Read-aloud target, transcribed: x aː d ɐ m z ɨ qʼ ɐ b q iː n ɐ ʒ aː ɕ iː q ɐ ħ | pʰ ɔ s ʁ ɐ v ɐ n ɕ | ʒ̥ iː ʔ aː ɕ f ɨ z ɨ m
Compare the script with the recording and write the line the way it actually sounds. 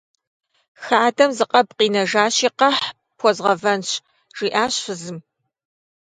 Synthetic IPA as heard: x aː d ɐ m z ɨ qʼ ɐ b q iː n ɐ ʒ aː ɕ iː q ɐ ħ | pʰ ɔ z ʁ ɐ v ɐ n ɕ | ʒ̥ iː ʔ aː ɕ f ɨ z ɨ m